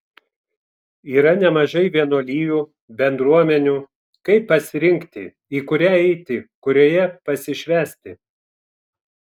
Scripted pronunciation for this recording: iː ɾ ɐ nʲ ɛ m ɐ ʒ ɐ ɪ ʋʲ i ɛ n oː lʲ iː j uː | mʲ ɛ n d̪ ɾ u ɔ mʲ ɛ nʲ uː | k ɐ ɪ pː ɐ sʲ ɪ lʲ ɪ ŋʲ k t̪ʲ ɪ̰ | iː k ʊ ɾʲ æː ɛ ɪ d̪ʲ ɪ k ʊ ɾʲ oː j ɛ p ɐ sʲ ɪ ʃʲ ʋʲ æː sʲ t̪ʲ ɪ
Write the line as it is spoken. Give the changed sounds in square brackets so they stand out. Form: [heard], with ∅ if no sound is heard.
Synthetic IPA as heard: iː ɾ ɐ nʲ ɛ m ɐ ʒ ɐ ɪ ʋʲ i ɛ n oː lʲ iː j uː | [bʲ] ɛ n d̪ ɾ u ɔ mʲ ɛ nʲ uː | k ɐ ɪ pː ɐ sʲ ɪ [ɾʲ] ɪ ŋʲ k t̪ʲ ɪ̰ | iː k ʊ ɾʲ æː ɛ ɪ [t̪ʲ] ɪ k ʊ ɾʲ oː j ɛ p ɐ sʲ ɪ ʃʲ ʋʲ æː sʲ t̪ʲ ɪ